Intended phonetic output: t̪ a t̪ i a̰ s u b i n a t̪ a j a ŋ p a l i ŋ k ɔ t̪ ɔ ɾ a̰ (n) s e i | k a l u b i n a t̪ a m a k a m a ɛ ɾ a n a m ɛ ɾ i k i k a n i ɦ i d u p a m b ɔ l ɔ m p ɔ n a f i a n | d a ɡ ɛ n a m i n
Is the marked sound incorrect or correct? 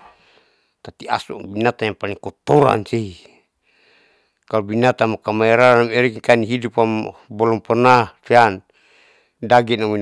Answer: correct